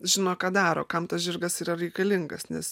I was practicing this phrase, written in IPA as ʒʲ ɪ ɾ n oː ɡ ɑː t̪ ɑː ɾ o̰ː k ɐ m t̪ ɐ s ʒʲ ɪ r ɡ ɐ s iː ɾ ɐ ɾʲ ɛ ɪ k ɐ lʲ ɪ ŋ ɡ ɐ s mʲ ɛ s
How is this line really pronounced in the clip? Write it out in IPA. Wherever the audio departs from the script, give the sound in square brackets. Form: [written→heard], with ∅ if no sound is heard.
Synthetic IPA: ʒʲ ɪ [ɾ→∅] n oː [ɡ→k] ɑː [t̪→d̪] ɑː ɾ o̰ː k ɐ m t̪ ɐ s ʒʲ ɪ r ɡ ɐ s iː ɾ ɐ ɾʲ ɛ ɪ k ɐ lʲ ɪ ŋ ɡ ɐ s [mʲ→nʲ] ɛ s